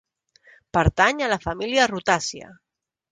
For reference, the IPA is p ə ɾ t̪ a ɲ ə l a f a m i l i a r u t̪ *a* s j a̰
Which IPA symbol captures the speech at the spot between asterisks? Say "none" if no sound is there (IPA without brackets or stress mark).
a